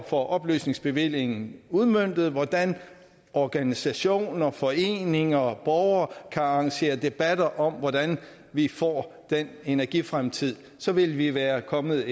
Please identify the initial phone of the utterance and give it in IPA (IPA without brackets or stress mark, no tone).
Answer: f